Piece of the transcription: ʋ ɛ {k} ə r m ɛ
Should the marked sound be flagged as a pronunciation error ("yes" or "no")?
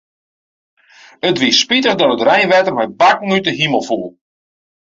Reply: yes